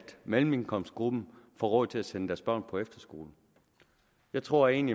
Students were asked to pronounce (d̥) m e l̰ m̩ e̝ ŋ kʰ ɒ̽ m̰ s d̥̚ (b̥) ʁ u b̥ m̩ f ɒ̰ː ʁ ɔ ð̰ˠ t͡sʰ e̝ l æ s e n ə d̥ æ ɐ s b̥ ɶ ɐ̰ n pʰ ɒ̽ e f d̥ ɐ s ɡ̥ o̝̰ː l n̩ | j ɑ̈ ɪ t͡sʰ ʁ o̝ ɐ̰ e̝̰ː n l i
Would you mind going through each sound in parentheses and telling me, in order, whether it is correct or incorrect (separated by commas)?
correct, incorrect